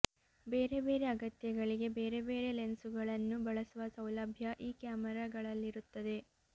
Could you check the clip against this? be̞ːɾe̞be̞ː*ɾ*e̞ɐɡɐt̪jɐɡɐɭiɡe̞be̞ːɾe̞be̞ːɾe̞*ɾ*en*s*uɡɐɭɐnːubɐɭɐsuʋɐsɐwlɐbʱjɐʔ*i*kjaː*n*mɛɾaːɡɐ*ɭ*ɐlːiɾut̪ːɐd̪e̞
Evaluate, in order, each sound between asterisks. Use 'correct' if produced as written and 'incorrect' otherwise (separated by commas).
correct, incorrect, correct, incorrect, incorrect, correct